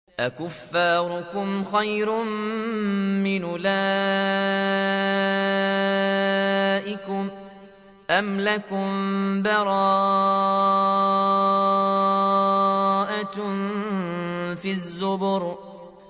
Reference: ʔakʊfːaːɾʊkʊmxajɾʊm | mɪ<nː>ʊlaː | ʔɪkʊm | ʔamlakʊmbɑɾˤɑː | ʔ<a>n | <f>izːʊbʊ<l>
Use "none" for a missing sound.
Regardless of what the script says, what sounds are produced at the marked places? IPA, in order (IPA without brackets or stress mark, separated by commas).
n, a, f, ɾ